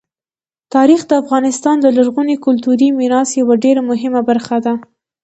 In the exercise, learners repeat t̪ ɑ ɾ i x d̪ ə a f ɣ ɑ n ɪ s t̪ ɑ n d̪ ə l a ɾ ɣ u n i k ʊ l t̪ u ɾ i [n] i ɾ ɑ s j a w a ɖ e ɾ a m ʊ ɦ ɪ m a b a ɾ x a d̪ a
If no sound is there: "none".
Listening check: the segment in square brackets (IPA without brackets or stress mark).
m